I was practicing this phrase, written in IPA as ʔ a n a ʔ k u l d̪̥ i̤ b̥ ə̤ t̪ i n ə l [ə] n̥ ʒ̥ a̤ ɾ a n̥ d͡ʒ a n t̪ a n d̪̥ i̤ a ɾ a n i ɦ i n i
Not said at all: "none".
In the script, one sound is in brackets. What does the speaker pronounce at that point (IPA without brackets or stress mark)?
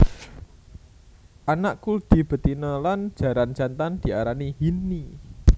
a